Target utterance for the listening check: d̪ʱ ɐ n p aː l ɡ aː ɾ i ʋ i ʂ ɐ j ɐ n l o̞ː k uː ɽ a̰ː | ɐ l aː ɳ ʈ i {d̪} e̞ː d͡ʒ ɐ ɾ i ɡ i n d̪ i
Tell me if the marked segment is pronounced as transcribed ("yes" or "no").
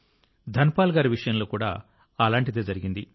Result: yes